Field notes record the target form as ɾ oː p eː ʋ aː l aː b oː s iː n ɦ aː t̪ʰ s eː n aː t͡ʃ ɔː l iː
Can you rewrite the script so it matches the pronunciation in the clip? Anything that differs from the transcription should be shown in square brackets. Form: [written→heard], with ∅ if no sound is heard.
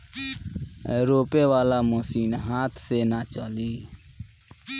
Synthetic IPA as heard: ɾ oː p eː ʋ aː l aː [b→m] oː s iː n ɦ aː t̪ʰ s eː n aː t͡ʃ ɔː l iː